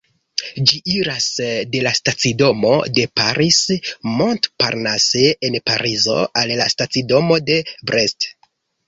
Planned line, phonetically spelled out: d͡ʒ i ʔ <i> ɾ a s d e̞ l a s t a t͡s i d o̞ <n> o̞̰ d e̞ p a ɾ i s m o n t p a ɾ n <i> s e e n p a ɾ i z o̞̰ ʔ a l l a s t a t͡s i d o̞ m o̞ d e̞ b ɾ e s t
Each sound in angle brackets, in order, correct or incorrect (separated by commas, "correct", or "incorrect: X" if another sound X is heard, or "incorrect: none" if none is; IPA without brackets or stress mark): correct, incorrect: m, incorrect: a